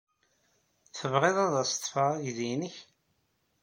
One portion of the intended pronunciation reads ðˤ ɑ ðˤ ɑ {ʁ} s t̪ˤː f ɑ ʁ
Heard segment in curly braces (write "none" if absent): none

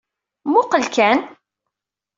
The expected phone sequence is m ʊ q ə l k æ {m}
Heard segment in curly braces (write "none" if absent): n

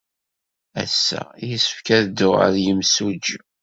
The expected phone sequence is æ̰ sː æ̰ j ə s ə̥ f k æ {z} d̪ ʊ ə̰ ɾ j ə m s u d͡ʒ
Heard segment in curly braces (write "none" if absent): ð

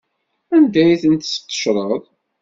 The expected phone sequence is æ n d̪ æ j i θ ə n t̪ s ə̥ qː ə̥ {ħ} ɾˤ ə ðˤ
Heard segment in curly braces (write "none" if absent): ʃ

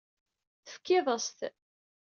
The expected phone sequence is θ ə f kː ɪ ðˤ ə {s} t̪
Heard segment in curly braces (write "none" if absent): s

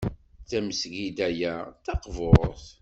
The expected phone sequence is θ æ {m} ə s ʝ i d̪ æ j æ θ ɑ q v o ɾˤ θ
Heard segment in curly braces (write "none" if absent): m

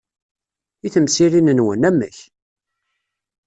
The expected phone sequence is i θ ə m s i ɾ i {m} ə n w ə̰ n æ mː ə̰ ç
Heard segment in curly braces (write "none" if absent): n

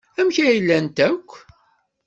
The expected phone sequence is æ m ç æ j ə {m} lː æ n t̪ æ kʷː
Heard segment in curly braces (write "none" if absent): none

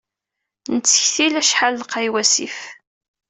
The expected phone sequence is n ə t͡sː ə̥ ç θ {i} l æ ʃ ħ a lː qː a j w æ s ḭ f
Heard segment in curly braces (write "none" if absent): i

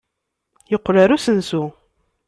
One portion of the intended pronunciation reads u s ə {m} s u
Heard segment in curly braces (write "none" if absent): n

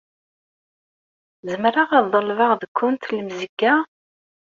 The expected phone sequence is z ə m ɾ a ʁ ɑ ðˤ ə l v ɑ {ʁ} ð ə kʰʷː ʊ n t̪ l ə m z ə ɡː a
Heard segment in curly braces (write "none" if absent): ʁ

